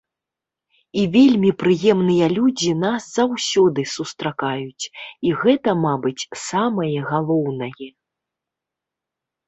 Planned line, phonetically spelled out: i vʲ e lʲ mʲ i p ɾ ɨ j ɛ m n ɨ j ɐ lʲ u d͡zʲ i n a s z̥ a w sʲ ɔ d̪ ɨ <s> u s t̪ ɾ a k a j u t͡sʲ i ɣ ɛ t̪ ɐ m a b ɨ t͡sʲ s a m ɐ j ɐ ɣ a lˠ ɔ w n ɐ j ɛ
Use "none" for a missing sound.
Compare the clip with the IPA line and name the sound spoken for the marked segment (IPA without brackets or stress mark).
s